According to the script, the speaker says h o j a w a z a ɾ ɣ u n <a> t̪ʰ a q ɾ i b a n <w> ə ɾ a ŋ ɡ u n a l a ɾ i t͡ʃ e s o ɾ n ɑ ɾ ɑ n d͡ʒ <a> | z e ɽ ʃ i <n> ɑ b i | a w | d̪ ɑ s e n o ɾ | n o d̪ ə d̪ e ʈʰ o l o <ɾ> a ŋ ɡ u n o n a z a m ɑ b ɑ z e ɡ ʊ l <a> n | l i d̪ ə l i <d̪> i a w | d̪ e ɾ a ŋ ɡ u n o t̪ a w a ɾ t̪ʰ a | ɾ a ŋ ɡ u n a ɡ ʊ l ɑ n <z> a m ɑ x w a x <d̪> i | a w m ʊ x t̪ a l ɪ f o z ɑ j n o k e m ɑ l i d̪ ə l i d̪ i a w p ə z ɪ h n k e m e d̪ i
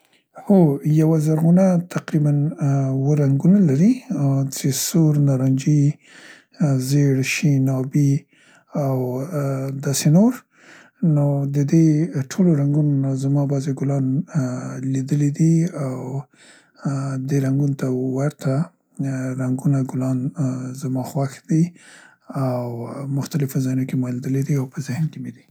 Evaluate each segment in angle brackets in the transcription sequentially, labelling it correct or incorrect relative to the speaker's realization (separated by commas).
correct, correct, incorrect, correct, correct, incorrect, correct, correct, correct